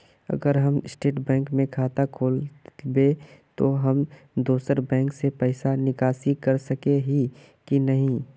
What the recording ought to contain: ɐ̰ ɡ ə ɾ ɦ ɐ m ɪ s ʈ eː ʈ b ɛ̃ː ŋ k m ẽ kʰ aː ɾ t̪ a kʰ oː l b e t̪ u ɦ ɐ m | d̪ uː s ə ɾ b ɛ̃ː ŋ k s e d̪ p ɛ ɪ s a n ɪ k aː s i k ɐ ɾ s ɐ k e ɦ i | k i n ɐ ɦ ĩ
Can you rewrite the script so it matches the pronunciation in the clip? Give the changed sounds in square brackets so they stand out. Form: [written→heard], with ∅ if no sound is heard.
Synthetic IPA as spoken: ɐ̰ ɡ ə ɾ ɦ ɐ m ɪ s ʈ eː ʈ b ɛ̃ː ŋ k m ẽ kʰ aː [ɾ→∅] t̪ a kʰ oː l b e t̪ [u→o] ɦ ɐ m | d̪ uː s ə ɾ b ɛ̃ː ŋ k s e [d̪→∅] p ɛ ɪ s a n ɪ k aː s i k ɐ ɾ s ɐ k e ɦ i | k i n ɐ ɦ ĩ